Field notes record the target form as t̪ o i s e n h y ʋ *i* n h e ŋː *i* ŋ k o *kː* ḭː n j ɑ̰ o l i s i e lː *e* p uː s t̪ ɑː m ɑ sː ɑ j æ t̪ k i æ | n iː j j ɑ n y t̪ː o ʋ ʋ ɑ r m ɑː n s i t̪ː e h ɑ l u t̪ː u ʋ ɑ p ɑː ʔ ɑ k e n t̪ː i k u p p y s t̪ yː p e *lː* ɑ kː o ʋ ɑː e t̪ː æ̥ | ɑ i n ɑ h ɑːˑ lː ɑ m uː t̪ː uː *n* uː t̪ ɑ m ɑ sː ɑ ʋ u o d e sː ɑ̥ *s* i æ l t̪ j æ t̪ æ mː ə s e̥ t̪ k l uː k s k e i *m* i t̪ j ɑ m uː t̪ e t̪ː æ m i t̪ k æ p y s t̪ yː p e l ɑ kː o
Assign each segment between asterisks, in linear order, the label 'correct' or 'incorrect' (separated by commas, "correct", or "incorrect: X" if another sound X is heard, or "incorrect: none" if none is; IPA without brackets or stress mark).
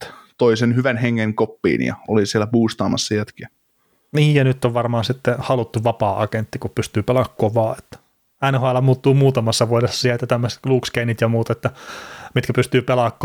incorrect: æ, incorrect: e, incorrect: pː, incorrect: æ, incorrect: l, incorrect: m, correct, incorrect: n